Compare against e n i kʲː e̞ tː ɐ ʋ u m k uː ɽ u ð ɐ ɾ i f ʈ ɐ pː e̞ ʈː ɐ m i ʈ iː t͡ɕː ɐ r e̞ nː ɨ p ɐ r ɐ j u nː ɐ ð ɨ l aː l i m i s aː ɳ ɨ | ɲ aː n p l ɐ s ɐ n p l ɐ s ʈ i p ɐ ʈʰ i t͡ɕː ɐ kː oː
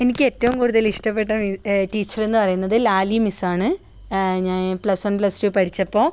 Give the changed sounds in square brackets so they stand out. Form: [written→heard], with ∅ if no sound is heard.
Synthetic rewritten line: e n i kʲː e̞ tː ɐ ʋ u m k uː ɽ u ð ɐ [ɾ→l] i [f→ʂ] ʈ ɐ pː e̞ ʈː ɐ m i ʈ iː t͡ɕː ɐ r e̞ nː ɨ p ɐ r ɐ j u nː ɐ ð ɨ l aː l i m i s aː ɳ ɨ | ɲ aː n p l ɐ s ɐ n p l ɐ s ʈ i p ɐ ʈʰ i t͡ɕː ɐ [kː→pː] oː